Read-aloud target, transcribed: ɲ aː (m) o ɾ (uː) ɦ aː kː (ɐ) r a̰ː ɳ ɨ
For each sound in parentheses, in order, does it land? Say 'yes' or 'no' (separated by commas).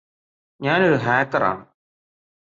no, no, yes